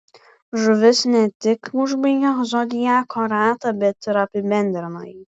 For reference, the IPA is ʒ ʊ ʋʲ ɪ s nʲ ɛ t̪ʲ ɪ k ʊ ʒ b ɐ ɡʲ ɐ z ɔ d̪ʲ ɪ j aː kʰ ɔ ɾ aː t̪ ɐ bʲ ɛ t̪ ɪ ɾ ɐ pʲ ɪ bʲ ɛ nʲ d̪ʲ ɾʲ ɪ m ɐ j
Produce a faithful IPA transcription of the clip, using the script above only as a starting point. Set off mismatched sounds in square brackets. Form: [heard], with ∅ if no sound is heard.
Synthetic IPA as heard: ʒ ʊ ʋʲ ɪ s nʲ ɛ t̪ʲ ɪ k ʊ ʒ b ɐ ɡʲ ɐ z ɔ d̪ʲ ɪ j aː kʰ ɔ ɾ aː t̪ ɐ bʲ ɛ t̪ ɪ ɾ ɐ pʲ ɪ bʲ ɛ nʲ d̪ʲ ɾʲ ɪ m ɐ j